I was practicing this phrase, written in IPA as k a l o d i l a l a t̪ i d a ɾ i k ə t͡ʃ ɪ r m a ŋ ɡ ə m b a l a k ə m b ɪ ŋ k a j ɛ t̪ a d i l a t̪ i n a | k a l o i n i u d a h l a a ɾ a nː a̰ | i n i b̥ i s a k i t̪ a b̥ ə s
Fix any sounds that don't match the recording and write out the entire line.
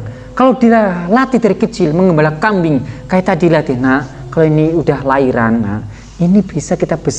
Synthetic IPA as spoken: k a l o d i l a l a t̪ i d a ɾ i k ə t͡ʃ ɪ l m ə ŋ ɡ ə m b a l a k a m b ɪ ŋ k a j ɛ t̪ a d i l a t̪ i n a | k a l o i n i u d a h l a i ɾ a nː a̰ | i n i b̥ i s a k i t̪ a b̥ ə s